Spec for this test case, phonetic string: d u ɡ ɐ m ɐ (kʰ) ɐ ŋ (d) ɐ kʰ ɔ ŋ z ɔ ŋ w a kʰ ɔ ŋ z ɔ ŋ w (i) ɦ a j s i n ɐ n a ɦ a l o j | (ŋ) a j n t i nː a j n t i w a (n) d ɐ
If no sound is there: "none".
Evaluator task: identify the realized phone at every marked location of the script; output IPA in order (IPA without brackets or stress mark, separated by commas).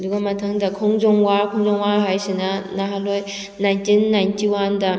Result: tʰ, d, a, n, n